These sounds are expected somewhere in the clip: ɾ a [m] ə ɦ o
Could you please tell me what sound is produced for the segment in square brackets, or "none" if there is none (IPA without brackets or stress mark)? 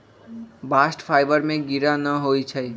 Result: n